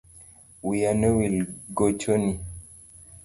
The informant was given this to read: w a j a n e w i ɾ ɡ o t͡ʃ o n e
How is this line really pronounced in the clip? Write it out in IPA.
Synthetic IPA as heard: w i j a n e w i l ɡ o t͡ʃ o n i